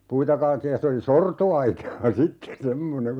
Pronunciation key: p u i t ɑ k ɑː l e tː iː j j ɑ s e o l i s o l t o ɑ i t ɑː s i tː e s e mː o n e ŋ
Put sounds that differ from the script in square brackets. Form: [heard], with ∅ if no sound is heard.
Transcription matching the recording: p u i t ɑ k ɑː l e tː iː j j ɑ s e o l i s o [r] t o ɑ i t ɑː s i tː e s e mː o n e ŋ